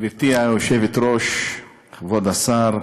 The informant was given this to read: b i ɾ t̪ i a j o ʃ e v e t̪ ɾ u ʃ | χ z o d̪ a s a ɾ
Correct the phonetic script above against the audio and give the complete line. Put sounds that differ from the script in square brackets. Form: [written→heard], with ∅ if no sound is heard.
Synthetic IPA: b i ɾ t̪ i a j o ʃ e v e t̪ ɾ [u→o] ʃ | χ [z→v] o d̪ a s a ɾ